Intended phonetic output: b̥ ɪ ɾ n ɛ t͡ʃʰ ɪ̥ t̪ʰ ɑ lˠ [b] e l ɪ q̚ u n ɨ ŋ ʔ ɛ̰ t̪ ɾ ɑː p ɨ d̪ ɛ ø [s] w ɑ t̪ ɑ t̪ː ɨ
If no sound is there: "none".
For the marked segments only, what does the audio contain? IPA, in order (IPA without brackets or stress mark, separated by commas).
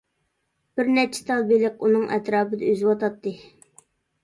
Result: b, z